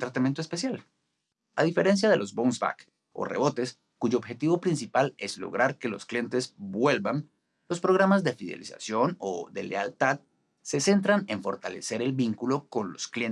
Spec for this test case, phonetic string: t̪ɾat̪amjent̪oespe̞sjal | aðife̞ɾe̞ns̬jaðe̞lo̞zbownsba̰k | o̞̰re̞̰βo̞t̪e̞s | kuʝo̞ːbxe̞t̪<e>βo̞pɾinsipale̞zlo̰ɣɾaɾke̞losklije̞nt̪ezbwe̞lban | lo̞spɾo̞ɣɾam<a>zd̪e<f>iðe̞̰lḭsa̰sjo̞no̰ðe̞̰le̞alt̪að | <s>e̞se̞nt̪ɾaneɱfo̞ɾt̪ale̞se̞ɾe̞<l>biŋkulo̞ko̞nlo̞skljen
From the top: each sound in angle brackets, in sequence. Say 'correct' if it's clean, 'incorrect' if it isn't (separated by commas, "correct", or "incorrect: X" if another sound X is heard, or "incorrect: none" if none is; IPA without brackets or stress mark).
incorrect: i, correct, correct, correct, correct